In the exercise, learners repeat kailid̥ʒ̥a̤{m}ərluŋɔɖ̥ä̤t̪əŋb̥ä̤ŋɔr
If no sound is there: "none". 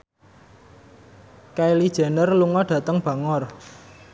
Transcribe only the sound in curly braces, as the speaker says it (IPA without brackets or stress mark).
n